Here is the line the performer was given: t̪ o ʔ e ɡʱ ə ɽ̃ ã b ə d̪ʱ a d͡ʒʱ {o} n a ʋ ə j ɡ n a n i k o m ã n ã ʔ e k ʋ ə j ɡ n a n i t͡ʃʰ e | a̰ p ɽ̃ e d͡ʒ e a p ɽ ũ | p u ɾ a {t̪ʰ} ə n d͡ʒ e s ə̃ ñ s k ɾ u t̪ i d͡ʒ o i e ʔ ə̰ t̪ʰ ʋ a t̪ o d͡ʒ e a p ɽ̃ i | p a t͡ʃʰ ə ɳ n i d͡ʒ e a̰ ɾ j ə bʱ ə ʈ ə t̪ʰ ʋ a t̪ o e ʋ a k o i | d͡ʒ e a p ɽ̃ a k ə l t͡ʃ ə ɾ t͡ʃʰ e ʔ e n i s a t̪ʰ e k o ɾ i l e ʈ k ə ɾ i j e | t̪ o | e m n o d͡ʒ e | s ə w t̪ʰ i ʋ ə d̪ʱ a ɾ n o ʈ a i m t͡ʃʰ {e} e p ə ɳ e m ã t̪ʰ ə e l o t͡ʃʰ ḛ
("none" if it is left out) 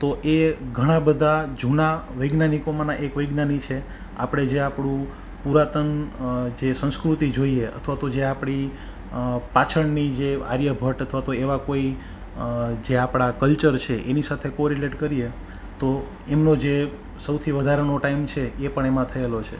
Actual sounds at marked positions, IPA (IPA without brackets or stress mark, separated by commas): u, t̪, e